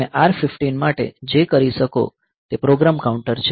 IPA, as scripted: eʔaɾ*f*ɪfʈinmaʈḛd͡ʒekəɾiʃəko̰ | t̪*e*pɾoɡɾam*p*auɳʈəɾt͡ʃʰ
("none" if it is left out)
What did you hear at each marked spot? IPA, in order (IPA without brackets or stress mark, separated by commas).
f, e, k